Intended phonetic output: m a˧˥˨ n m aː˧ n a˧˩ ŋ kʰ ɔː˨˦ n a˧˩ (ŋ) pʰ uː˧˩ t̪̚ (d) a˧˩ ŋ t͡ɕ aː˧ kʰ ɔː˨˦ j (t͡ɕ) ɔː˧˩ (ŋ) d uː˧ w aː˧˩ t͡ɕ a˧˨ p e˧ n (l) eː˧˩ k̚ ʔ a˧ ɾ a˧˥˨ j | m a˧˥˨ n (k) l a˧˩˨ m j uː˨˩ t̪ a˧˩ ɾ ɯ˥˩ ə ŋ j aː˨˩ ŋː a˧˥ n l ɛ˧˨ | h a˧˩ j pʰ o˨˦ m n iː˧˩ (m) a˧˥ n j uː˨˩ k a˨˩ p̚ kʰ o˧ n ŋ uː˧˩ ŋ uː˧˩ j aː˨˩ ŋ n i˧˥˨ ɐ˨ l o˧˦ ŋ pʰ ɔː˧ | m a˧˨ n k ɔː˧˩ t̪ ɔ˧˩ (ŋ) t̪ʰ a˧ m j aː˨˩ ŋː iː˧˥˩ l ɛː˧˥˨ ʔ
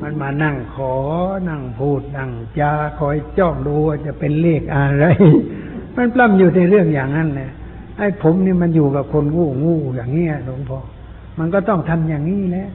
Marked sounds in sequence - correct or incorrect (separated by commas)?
correct, incorrect, correct, correct, correct, incorrect, correct, correct